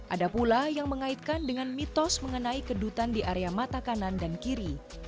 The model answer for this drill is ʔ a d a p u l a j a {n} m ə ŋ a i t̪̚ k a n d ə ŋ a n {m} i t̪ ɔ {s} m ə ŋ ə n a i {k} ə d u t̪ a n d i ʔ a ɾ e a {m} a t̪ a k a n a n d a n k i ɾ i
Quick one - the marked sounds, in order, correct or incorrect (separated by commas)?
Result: incorrect, correct, correct, correct, correct